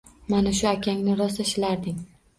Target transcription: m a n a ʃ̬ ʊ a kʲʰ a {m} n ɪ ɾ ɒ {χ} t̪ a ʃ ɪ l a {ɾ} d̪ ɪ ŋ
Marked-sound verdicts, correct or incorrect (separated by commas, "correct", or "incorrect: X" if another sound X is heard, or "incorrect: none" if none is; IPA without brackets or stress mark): incorrect: ŋ, incorrect: s, correct